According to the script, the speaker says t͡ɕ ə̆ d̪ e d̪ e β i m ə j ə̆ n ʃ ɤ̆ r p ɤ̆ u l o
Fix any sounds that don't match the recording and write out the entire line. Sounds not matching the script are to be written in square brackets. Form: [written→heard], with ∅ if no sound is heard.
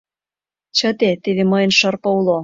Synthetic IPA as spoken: t͡ɕ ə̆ [d̪→t̪] e [d̪→t̪] e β [i→e] m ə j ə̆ n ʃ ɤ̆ r p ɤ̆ u l o